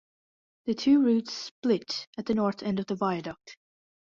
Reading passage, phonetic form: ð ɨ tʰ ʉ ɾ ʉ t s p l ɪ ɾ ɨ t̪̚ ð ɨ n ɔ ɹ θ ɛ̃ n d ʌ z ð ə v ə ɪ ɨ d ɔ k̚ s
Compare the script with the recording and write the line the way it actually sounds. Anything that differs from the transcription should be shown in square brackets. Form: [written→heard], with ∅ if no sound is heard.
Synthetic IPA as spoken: ð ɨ tʰ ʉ [ɾ→ɹ] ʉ t s p l ɪ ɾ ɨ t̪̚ ð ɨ n ɔ ɹ θ ɛ̃ n d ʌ [z→v] ð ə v [ə→a] ɪ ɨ d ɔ k̚ [s→t]